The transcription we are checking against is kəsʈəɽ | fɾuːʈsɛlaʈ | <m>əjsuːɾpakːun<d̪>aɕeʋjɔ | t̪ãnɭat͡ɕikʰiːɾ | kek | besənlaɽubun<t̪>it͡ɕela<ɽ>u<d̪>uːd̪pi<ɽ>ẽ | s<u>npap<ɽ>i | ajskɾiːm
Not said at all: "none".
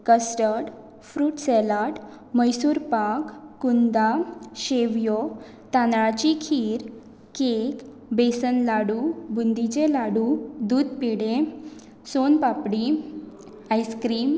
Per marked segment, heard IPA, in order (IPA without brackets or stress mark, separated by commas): m, d̪, d̪, ɽ, d̪, ɽ, o, ɽ